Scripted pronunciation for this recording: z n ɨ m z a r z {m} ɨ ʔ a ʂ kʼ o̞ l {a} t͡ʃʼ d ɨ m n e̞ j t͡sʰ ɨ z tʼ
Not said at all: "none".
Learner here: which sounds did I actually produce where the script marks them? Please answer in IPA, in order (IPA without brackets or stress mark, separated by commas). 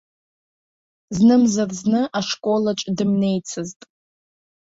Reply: n, a